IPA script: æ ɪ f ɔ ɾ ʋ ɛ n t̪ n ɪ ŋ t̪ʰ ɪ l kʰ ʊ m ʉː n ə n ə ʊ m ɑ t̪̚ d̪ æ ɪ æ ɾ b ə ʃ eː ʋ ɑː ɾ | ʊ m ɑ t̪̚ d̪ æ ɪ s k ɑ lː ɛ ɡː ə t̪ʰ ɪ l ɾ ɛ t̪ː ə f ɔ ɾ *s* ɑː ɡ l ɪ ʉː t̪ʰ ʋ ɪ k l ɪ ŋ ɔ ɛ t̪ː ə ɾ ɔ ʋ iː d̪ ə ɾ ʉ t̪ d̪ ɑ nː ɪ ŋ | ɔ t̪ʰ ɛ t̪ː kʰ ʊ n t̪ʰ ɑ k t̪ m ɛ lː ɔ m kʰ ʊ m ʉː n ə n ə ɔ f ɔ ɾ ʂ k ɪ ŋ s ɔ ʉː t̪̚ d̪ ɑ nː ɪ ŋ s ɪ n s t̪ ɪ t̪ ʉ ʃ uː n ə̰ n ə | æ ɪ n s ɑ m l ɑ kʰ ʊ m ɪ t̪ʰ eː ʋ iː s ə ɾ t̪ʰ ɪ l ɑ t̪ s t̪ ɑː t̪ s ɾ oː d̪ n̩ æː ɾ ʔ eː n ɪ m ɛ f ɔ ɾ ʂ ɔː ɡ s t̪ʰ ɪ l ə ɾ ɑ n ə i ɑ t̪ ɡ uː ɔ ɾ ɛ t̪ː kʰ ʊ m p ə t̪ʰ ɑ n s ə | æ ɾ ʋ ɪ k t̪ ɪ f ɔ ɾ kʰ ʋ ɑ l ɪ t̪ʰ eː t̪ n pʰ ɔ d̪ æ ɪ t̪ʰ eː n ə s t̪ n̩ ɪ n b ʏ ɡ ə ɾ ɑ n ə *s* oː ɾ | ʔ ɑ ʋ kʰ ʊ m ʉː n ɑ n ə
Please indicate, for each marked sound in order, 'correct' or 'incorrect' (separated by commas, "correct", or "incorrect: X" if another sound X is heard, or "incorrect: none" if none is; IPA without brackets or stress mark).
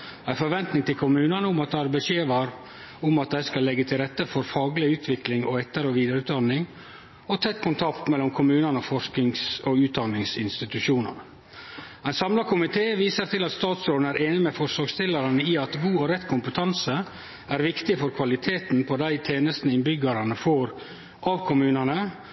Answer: incorrect: f, incorrect: f